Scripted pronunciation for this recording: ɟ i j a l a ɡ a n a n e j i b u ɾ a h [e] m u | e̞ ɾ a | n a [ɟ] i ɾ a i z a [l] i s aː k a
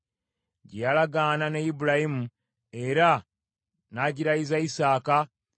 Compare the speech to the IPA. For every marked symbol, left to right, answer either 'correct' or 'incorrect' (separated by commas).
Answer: incorrect, correct, incorrect